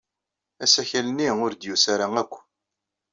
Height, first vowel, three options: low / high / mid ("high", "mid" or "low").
low